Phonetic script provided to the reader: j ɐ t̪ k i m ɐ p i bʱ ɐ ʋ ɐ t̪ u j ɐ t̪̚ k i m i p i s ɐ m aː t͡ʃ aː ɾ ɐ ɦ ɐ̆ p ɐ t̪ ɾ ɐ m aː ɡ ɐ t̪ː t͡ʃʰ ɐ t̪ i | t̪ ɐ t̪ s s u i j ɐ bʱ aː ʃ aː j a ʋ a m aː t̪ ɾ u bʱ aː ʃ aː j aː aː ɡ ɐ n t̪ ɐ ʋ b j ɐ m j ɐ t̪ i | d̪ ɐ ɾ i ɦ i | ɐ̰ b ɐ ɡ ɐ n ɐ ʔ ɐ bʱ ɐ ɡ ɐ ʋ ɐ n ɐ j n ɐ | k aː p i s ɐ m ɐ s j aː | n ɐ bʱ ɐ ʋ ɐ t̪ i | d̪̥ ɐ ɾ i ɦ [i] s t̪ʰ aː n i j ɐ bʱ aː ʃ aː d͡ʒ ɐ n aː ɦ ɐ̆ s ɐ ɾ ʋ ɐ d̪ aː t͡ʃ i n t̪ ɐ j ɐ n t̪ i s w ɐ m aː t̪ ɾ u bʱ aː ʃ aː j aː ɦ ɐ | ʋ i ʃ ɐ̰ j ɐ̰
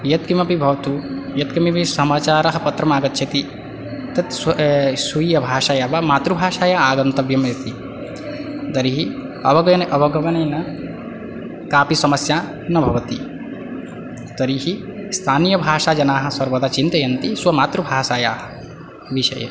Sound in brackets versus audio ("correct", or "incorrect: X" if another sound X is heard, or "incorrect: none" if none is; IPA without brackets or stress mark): correct